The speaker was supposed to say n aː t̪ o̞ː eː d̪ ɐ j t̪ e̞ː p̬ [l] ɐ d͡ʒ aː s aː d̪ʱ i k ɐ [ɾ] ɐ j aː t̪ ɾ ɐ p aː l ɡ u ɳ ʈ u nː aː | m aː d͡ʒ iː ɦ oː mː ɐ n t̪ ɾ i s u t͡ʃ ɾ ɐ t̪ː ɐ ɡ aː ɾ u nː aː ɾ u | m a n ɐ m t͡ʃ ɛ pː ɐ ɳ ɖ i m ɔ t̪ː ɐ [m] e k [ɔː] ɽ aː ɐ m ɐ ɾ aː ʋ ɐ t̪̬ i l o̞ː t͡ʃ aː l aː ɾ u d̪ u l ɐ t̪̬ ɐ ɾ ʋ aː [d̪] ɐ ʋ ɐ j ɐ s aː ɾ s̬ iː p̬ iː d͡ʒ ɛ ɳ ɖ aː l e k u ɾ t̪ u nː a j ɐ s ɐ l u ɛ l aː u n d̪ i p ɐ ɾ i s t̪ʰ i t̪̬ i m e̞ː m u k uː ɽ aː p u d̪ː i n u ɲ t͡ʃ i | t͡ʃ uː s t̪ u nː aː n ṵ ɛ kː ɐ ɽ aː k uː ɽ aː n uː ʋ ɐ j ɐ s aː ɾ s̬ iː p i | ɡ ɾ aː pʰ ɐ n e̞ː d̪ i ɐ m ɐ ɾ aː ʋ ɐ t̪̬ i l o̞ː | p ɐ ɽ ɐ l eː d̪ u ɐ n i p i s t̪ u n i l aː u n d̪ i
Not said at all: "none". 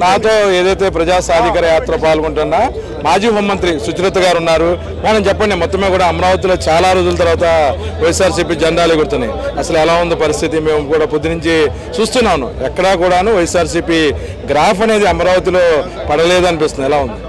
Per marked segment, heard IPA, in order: ɾ, ɾ, m, uː, t̪

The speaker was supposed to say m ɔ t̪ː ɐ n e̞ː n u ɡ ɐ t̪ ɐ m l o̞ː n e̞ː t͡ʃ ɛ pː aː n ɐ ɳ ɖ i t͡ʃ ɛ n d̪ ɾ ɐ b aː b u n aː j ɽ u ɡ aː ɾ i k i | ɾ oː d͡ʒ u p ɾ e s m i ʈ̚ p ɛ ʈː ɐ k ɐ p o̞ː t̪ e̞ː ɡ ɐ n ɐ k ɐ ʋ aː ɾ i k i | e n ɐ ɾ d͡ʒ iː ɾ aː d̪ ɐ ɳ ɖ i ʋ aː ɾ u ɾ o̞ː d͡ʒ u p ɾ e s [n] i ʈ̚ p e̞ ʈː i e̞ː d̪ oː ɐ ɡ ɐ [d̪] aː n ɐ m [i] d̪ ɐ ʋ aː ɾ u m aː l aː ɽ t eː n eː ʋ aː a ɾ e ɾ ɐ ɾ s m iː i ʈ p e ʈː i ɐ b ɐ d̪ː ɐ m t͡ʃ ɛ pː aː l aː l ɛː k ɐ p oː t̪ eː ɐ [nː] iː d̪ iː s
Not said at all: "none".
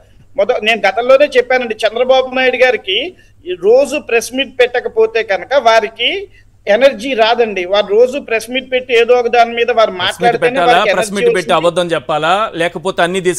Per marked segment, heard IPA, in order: m, d̪, iː, nː

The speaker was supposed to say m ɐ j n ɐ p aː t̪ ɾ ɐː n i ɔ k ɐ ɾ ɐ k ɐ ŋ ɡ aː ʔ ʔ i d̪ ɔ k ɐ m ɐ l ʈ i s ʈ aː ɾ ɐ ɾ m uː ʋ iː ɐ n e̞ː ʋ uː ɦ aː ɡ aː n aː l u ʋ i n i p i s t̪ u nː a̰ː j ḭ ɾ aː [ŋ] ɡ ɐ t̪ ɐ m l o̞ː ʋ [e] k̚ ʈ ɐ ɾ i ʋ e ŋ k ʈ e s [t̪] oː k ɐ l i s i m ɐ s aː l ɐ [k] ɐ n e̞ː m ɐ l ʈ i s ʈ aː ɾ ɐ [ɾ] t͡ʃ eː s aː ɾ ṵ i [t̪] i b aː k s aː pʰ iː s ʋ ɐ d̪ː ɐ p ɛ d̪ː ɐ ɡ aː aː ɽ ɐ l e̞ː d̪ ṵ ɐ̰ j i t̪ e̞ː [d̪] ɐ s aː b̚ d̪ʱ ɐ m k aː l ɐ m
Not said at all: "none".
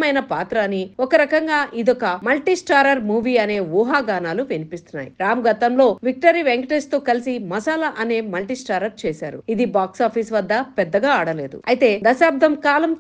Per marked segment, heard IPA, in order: m, i, t̪, ʔ, ɾ, d̪, d̪

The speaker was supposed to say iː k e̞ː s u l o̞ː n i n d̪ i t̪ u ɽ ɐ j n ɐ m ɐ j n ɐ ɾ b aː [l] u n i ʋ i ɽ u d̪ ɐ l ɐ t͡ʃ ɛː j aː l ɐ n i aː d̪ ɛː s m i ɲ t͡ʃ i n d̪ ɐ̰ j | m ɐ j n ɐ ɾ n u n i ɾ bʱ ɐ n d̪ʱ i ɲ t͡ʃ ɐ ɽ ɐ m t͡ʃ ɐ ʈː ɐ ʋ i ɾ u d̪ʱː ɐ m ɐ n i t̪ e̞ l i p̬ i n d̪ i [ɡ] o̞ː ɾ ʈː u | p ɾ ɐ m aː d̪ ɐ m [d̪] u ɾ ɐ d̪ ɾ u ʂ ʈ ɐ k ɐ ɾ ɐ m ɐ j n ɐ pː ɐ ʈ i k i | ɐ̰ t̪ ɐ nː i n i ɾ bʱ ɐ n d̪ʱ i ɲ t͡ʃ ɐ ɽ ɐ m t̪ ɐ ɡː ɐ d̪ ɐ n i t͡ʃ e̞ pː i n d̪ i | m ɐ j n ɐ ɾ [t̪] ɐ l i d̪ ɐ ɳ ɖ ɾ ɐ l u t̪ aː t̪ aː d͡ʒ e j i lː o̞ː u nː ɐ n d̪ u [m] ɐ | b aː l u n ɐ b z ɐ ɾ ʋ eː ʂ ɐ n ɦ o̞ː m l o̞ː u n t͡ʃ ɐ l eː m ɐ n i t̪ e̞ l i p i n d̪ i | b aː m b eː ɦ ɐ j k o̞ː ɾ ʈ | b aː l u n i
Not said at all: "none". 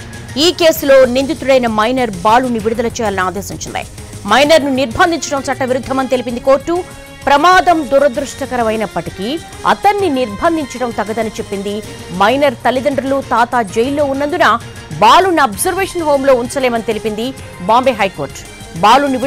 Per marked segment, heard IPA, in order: l, k, d̪, t̪, n

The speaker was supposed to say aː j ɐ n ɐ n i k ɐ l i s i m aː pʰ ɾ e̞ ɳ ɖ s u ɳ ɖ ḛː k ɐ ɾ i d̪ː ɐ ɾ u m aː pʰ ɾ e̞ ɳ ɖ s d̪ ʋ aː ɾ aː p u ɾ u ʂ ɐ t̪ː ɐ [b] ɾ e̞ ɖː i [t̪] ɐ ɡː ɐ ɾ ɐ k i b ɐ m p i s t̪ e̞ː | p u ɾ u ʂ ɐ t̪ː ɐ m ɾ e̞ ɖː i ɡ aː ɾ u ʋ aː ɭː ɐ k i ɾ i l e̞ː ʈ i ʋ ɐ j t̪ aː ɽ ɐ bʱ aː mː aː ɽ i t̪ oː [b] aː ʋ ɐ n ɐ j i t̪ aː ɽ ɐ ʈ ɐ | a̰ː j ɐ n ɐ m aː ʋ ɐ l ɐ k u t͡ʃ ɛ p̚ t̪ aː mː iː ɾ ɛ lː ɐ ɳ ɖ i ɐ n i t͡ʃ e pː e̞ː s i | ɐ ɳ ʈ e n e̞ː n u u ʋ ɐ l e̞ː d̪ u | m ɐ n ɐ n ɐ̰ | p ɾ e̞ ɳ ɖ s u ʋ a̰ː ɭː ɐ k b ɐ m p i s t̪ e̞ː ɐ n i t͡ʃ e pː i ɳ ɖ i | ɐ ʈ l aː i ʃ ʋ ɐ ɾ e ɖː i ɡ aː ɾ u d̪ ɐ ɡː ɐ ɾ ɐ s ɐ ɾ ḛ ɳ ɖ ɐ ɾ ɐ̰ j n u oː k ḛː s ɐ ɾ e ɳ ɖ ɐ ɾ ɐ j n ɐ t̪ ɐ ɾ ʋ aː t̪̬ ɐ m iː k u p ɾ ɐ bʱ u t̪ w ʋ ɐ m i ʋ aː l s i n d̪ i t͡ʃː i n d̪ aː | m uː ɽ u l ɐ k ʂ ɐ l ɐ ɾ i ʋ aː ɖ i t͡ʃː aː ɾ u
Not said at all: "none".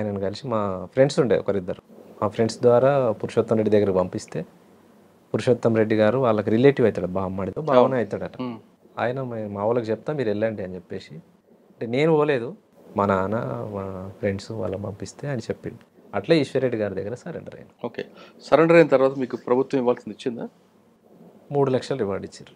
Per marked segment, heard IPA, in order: m, d̪, b

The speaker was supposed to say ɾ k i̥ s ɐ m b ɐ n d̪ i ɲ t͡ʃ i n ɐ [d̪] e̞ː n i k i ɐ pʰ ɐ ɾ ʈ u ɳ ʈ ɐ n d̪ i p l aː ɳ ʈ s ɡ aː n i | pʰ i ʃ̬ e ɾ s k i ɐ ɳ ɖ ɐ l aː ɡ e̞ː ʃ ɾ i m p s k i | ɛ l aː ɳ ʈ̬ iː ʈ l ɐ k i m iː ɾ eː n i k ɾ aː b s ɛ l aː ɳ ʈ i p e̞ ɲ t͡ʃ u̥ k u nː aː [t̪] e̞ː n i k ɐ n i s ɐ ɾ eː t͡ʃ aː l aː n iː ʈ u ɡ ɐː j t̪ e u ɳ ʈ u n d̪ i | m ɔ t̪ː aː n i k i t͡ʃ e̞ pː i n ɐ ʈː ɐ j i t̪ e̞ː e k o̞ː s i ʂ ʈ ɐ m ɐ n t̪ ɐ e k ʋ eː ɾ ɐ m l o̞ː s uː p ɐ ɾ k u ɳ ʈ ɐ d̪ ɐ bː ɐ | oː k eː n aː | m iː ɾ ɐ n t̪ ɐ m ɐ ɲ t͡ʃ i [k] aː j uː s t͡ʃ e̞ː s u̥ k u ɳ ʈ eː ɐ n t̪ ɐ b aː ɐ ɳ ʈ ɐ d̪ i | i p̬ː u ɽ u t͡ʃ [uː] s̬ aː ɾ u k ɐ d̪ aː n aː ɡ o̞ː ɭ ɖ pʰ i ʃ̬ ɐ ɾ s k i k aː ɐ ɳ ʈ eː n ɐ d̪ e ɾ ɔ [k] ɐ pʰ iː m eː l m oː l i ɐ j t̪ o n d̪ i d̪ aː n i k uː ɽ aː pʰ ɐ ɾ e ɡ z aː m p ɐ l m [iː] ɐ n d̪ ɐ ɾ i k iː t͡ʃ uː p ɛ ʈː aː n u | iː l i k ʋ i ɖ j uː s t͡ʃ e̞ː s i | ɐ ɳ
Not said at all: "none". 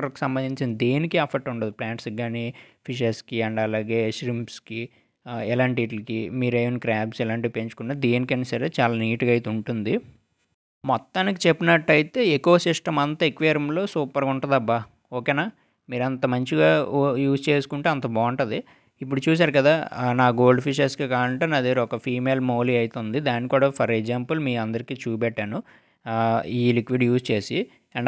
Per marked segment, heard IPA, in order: d̪, d̪, ɡ, uː, k, iː

